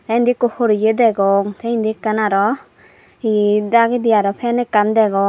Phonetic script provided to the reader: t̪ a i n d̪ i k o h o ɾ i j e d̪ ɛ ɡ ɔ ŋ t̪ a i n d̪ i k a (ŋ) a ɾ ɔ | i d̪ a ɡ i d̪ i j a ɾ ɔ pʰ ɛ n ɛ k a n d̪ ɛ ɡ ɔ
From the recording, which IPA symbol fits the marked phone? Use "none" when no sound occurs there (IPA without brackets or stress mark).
n